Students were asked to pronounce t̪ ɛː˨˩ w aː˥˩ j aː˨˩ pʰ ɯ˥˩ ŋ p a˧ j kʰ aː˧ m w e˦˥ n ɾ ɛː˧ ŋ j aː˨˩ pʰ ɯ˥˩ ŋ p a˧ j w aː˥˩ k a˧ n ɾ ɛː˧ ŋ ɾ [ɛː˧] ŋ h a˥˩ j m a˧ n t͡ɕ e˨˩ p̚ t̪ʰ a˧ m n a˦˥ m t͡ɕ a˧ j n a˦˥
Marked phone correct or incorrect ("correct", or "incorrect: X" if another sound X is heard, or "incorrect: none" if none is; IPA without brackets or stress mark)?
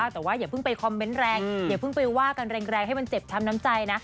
correct